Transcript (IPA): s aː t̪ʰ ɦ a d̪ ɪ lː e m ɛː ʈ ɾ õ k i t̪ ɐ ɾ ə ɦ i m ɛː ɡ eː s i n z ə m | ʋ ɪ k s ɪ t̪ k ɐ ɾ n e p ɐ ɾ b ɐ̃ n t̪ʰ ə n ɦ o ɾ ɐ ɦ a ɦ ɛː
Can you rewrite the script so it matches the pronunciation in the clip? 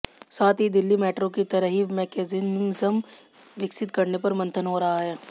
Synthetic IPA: s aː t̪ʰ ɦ i d̪ ɪ lː i m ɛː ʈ ɾ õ k i t̪ ɐ ɾ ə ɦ i m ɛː k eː z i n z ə m | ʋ ɪ k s ɪ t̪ k ɐ ɾ n e p ɐ ɾ m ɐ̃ n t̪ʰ ə n ɦ o ɾ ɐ ɦ a ɦ ɛː